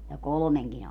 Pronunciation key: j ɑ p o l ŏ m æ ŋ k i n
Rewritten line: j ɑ k o l ŏ m e ŋ k i n